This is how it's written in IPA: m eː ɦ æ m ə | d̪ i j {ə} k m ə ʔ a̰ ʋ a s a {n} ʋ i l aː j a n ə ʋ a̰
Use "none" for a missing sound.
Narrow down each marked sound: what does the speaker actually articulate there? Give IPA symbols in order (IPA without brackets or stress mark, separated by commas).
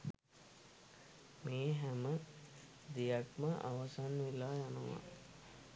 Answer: a, n